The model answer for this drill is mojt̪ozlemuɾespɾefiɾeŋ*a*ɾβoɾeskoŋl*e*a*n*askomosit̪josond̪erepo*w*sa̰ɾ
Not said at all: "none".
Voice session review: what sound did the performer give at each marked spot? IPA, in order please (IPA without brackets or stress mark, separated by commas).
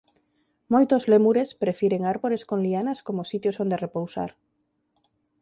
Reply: a, i, n, w